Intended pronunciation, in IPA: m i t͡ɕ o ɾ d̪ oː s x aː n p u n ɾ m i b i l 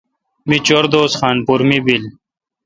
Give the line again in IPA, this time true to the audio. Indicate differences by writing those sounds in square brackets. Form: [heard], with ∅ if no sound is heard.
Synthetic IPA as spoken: m i t͡ɕ o ɾ d̪ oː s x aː n p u [∅] ɾ m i b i l